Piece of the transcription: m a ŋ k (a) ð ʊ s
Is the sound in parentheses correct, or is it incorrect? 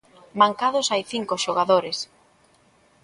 correct